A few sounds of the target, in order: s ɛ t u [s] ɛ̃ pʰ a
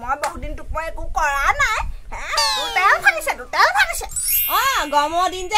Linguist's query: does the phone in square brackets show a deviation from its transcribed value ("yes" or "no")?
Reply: yes